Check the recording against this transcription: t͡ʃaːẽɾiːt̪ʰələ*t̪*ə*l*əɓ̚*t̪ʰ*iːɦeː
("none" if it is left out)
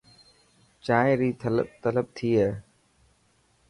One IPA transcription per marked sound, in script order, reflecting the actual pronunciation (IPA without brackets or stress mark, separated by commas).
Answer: t̪, l, t̪ʰ